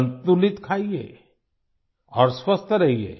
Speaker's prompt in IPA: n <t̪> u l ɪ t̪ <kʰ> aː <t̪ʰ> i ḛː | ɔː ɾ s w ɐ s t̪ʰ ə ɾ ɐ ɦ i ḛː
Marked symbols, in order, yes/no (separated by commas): yes, yes, no